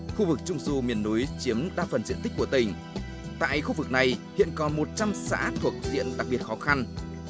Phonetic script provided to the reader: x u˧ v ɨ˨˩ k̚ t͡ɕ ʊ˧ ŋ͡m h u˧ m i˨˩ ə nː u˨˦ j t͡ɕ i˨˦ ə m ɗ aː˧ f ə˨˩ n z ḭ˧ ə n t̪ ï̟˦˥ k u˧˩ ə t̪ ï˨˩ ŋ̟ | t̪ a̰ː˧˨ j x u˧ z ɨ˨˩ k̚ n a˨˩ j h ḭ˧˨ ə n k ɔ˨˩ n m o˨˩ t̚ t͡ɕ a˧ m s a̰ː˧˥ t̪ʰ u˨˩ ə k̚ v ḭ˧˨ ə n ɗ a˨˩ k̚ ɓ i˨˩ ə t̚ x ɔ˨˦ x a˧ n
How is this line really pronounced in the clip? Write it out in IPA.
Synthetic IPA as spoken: x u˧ v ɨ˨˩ k̚ t͡ɕ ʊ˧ ŋ͡m s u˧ m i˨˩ ə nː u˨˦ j t͡ɕ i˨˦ ə m ɗ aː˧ f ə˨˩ n z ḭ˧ ə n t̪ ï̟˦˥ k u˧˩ ə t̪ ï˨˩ ŋ̟ | t̪ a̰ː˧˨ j x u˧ v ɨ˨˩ k̚ n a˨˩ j h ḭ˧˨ ə n k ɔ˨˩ n m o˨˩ t̚ t͡ɕ a˧ m s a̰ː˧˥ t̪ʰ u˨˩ ə k̚ z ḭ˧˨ ə n ɗ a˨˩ k̚ ɓ i˨˩ ə t̚ x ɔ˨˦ x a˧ n

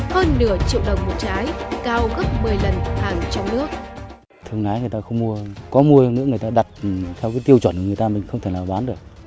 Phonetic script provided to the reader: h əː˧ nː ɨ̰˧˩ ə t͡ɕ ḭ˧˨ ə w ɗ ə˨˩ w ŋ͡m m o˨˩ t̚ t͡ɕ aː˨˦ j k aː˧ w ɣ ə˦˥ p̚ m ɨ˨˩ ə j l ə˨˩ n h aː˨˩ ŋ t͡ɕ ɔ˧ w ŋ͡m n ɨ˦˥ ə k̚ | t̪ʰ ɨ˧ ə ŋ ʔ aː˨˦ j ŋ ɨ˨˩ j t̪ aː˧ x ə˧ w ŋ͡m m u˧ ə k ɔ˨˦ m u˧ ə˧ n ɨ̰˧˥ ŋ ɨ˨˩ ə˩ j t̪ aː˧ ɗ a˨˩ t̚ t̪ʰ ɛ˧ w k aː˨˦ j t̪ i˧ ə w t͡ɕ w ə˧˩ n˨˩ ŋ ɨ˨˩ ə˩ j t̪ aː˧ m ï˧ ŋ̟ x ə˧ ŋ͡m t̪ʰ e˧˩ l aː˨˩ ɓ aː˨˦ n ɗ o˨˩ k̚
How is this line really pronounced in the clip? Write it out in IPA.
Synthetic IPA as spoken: h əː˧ nː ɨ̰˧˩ ə t͡ɕ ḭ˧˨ ə w ɗ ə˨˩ w ŋ͡m m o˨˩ t̚ t͡ɕ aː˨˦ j k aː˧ w ɣ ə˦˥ p̚ m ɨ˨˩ ə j l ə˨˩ n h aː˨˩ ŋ t͡ɕ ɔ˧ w ŋ͡m n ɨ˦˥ ə k̚ | t̪ʰ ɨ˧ ə ŋ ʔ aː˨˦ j ŋ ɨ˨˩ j t̪ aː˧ x ə˧ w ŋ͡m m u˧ ə k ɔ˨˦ m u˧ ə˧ n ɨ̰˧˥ ŋ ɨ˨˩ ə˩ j t̪ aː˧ ɗ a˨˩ t̚ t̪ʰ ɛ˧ w k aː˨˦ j t̪ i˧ ə w t͡ɕ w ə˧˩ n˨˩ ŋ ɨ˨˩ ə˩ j t̪ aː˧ m ï˨˩ ŋ̟ x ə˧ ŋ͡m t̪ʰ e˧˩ l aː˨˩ ɓ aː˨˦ n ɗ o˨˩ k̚

